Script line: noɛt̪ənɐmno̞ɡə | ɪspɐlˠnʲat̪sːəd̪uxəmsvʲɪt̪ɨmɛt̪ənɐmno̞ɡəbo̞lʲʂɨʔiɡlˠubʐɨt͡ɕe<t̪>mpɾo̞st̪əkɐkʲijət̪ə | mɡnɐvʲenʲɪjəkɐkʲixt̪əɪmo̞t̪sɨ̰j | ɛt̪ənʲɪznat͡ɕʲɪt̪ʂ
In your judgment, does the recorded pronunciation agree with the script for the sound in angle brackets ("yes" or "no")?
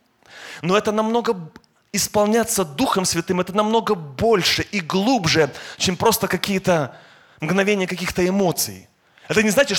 no